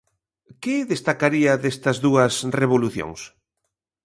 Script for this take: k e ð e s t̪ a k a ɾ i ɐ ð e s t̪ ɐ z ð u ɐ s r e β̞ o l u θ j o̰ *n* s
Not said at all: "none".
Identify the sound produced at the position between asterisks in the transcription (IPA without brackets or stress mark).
ŋ